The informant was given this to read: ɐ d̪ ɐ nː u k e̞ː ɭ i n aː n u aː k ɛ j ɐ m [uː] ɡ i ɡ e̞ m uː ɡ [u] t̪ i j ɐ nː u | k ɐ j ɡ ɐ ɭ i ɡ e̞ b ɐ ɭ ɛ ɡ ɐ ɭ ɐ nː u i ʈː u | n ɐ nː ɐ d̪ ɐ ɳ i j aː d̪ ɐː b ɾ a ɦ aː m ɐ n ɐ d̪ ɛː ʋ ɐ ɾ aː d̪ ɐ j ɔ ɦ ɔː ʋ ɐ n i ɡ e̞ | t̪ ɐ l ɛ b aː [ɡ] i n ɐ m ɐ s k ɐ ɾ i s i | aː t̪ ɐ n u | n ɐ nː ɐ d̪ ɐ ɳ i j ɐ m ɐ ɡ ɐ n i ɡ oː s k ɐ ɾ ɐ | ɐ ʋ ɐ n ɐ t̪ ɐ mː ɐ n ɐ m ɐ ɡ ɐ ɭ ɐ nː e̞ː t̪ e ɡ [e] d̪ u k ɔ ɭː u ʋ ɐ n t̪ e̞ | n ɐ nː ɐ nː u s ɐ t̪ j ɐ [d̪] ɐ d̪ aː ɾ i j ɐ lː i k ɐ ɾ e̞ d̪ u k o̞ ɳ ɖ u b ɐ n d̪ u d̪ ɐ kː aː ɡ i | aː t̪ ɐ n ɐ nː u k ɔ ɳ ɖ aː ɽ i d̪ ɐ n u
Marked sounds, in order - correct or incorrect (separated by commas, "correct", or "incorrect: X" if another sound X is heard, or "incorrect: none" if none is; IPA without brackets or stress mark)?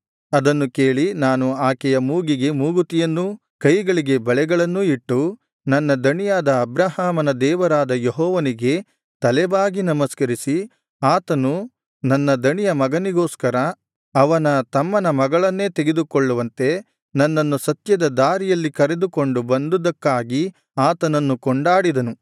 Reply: correct, correct, correct, correct, correct